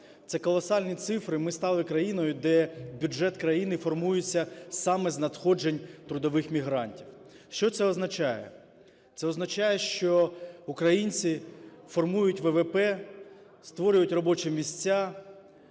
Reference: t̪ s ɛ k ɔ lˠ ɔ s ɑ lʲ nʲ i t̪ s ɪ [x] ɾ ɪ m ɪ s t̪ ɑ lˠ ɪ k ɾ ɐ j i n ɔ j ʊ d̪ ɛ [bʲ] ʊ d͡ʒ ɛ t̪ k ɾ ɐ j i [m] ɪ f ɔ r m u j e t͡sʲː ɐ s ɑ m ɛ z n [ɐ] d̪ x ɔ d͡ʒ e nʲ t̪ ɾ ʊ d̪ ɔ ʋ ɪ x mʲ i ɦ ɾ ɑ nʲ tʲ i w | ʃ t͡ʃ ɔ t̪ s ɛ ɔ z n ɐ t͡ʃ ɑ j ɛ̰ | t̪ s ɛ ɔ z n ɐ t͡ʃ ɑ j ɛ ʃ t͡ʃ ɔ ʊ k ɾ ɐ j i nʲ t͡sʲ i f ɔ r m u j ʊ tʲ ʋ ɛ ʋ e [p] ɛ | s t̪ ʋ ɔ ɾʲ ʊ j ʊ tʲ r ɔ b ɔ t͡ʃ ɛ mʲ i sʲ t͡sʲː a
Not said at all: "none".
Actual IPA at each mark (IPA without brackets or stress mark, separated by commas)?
f, bʲ, n, ɐ, p